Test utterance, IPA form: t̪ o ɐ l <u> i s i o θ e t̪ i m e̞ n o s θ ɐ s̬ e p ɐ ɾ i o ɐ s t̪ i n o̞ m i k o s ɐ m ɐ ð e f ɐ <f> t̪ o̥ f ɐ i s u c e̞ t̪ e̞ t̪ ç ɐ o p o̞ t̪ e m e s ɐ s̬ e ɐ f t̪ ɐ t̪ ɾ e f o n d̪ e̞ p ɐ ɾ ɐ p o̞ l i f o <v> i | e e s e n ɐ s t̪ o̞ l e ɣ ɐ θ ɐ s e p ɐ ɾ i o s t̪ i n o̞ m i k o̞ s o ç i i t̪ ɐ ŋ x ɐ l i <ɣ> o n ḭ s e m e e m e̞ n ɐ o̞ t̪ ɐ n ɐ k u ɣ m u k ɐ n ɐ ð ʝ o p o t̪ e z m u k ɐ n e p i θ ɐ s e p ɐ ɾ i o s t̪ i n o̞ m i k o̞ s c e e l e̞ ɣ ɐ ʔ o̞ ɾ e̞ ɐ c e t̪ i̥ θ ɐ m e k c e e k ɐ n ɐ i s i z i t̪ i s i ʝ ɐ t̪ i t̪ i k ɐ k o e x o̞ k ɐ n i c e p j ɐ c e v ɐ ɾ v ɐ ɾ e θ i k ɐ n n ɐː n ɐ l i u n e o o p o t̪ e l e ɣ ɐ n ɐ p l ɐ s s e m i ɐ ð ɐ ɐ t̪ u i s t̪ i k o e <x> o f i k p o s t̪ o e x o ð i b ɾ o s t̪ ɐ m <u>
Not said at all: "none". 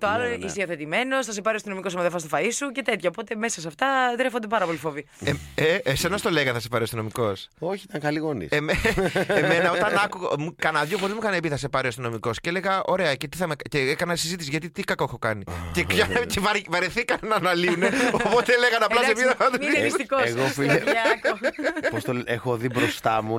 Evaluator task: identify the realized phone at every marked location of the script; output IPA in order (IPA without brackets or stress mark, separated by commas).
o, s, v, ɣ, ɣ, u